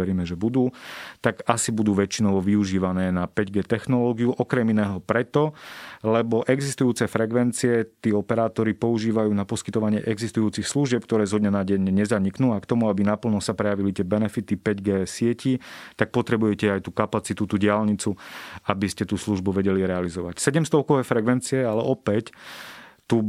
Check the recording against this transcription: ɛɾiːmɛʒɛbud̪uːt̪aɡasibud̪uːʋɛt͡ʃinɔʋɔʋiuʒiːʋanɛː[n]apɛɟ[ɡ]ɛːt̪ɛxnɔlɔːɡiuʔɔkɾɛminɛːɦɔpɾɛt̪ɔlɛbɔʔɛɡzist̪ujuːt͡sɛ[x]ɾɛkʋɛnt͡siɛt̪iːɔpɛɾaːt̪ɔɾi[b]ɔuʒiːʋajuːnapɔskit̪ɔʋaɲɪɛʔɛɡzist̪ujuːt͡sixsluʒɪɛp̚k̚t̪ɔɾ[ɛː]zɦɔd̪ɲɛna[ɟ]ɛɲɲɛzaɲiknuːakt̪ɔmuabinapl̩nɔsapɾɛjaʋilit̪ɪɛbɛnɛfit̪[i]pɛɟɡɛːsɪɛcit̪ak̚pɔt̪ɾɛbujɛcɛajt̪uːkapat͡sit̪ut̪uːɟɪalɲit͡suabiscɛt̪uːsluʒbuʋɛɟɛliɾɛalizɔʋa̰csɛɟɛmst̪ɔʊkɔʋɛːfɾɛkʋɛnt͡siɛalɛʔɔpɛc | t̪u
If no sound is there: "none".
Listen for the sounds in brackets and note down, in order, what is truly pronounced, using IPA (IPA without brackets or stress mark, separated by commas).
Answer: n, ɡ, f, p, ɛː, ɟ, i